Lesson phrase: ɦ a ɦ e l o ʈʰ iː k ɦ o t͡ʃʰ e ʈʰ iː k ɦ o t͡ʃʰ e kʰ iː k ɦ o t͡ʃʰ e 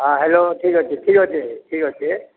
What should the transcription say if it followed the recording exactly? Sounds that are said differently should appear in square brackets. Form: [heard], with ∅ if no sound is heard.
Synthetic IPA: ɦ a ɦ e l o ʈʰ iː k ɦ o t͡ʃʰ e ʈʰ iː k ɦ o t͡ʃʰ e [ʈʰ] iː k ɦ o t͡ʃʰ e

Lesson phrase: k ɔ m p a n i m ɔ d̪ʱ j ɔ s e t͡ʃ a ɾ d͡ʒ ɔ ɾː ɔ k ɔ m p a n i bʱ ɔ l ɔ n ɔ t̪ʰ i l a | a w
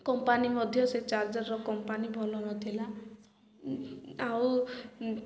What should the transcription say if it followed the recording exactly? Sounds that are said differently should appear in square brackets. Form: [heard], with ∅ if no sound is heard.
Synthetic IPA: k ɔ m p a n i m ɔ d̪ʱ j ɔ s e t͡ʃ a ɾ d͡ʒ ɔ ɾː ɔ k ɔ m p a n i bʱ ɔ l ɔ n ɔ t̪ʰ i l a | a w

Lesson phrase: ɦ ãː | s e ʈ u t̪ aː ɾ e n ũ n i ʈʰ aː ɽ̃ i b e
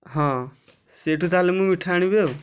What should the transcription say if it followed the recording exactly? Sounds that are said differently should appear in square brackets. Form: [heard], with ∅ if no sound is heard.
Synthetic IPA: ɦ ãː | s e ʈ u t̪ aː [l] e [m] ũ [m] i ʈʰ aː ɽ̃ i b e

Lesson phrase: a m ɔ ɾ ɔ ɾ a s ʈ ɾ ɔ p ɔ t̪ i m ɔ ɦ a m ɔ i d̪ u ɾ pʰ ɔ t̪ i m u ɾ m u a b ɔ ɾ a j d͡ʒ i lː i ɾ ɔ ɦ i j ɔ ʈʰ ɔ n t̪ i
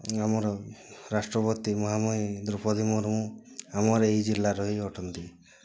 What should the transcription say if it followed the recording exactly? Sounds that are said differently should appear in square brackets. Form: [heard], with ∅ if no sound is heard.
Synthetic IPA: a m ɔ ɾ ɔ ɾ a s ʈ ɾ ɔ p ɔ t̪ i m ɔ ɦ a m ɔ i d̪ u ɾ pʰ ɔ [d̪] i m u ɾ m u a [m] ɔ ɾ [e] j d͡ʒ i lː [a] ɾ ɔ ɦ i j ɔ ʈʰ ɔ n t̪ i

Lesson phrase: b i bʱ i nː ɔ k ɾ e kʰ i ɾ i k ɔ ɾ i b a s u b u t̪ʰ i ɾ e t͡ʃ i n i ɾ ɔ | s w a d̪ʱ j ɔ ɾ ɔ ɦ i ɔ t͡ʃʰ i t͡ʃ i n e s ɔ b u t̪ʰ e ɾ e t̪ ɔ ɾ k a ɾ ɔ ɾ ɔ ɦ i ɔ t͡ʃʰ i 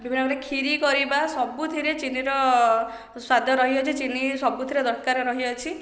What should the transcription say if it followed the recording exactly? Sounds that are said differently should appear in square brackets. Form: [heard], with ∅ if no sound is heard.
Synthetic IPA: b i bʱ i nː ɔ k ɾ e kʰ i ɾ i k ɔ ɾ i b a s [ɔ] b u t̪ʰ i ɾ e t͡ʃ i n i ɾ ɔ | s w a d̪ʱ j ɔ ɾ ɔ ɦ i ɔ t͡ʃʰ i t͡ʃ i n [i] s ɔ b u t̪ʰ [i] ɾ e [d̪] ɔ ɾ k a ɾ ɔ ɾ ɔ ɦ i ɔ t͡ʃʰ i

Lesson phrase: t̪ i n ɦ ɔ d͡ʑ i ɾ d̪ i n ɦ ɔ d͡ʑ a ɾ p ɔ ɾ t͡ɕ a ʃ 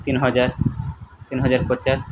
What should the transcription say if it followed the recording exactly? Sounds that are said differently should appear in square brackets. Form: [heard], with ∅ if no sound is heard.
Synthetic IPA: t̪ i n ɦ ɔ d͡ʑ [a] ɾ [t̪] i n ɦ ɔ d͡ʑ a ɾ p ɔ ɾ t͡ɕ a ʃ

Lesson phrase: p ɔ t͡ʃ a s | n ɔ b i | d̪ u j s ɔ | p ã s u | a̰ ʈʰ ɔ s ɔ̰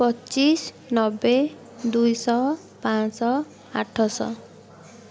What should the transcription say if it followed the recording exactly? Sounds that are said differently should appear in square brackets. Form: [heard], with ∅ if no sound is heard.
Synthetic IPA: p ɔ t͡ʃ [i] s | n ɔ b [e] | d̪ u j s ɔ | p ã s [ɔ] | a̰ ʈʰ ɔ s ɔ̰

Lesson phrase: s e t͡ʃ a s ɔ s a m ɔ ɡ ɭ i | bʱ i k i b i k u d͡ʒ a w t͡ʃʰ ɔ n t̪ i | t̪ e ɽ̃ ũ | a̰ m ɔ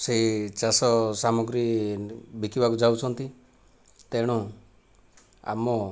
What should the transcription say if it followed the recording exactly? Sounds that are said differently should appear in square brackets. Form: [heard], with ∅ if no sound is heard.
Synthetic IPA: s e t͡ʃ a s ɔ s a m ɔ ɡ [ɾ] i | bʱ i k i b [a] k u d͡ʒ a w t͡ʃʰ ɔ n t̪ i | t̪ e ɽ̃ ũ | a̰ m ɔ

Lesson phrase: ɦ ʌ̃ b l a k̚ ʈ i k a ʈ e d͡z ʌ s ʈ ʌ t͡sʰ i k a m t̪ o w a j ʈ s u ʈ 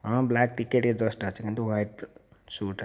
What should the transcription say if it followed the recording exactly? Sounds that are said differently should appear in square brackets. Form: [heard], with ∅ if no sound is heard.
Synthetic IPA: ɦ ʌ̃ b l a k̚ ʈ i k [e] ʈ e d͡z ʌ s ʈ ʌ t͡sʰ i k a [n] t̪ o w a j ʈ s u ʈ

